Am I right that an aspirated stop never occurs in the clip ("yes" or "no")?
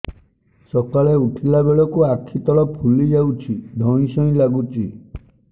no